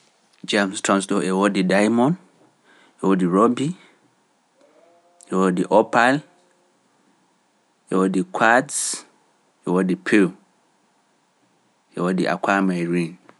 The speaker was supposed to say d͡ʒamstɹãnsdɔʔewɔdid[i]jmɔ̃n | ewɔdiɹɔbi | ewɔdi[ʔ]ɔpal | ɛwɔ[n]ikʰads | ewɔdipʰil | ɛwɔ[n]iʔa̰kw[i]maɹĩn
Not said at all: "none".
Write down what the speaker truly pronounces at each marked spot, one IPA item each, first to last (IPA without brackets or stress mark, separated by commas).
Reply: a, ʔ, d, d, a